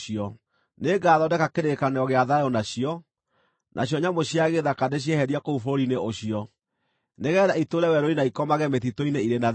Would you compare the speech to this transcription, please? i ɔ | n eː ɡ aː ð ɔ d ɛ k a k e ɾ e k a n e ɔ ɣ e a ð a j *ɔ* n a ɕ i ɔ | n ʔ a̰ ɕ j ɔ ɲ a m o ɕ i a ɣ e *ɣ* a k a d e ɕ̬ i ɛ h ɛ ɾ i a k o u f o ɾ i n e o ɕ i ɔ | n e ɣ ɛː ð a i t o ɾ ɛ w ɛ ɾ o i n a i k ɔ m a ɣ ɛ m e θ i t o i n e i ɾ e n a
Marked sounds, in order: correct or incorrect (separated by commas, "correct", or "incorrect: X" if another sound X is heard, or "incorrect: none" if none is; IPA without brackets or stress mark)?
correct, incorrect: ð